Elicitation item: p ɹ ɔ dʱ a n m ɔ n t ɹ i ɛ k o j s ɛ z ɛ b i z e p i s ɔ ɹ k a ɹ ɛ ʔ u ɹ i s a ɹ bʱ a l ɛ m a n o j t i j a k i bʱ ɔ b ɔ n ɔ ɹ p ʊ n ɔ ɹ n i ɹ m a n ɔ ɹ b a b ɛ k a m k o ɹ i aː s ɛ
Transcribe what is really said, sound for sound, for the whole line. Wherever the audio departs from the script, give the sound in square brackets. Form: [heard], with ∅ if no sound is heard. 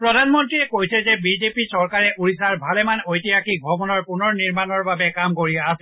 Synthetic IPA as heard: p ɹ ɔ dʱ a n m ɔ n t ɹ i ɛ k o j s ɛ z ɛ b i z e p i s ɔ ɹ k a ɹ ɛ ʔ u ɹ i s a ɹ bʱ a l ɛ m a n o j t i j a k i bʱ ɔ b ɔ n ɔ ɹ p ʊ n ɔ ɹ n i ɹ m a n ɔ ɹ b a b ɛ k a m k o ɹ i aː s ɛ